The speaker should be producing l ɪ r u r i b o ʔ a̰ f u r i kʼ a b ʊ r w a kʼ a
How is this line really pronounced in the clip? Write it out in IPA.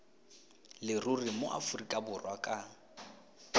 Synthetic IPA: l ɪ r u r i m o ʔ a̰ f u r i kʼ a b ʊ r w a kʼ a